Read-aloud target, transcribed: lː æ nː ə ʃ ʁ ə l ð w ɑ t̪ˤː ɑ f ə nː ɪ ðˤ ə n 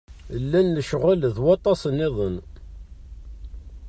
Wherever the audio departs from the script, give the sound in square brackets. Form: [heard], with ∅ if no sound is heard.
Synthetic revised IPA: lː æ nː ə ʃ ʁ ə l ð w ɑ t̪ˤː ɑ [s] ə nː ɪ ðˤ ə n